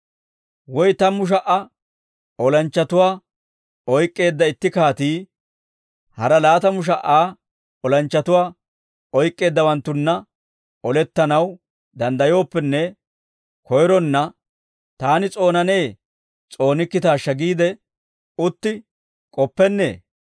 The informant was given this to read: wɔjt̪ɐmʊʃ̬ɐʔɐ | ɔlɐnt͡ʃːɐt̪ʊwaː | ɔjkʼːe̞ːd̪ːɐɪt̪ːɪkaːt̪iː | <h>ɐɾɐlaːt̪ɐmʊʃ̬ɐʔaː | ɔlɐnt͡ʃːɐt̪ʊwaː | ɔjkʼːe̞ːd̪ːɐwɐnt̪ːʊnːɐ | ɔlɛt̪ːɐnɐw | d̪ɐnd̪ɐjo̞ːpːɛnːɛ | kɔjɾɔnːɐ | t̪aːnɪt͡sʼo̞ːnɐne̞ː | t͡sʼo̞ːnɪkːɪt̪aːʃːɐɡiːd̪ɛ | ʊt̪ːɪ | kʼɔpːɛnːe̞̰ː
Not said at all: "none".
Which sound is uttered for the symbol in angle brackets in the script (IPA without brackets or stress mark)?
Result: h